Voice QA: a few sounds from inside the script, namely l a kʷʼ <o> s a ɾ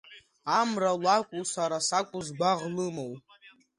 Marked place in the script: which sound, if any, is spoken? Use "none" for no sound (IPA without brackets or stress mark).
u